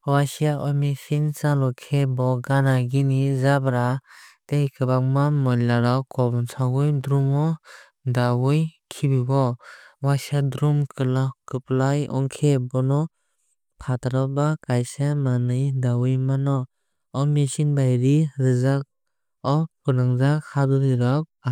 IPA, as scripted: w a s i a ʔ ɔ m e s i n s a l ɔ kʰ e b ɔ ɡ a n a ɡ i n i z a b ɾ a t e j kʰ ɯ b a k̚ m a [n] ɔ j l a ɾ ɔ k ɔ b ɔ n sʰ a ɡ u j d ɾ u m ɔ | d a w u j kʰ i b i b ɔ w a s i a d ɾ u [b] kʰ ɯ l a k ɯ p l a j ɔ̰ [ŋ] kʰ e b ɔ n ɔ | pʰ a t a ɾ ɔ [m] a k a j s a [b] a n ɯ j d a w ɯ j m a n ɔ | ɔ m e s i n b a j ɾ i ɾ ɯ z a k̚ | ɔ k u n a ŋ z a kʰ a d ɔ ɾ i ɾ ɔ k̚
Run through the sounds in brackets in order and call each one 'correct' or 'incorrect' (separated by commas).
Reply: incorrect, incorrect, correct, incorrect, incorrect